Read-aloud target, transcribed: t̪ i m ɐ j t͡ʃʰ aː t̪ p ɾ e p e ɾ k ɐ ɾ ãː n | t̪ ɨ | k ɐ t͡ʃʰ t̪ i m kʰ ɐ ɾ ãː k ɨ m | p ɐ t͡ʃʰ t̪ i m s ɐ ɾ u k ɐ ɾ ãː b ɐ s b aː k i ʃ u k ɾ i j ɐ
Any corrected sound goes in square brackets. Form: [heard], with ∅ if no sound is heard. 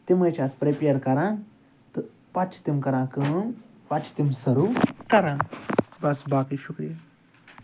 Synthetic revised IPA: t̪ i m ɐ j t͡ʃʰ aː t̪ p ɾ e p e ɾ k ɐ ɾ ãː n | t̪ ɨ | [p] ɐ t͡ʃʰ t̪ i m [k] ɐ ɾ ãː k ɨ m | p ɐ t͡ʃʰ t̪ i m s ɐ ɾ u k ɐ ɾ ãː b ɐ s b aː k i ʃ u k ɾ i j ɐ